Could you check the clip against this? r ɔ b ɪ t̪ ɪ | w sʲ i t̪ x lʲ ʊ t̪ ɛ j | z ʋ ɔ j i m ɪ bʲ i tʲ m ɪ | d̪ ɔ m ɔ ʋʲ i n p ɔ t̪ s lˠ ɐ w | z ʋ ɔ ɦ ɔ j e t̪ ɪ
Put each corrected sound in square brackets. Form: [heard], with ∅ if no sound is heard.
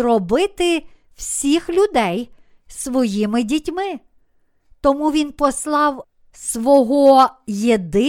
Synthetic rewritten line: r ɔ b ɪ t̪ ɪ | w sʲ i [∅] x lʲ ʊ [d̪] ɛ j | [s] ʋ ɔ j i m ɪ [dʲ] i tʲ m ɪ | [t̪] ɔ m [u] ʋʲ i n p ɔ [∅] s lˠ [ɑ] w | [s] ʋ ɔ ɦ ɔ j e [d̪] ɪ